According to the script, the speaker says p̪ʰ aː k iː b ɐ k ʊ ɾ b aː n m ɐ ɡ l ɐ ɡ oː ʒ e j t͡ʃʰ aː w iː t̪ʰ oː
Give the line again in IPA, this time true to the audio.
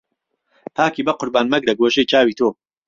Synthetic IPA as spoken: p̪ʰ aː k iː b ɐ q ʊ ɾ b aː n m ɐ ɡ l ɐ ɡ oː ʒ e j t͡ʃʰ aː w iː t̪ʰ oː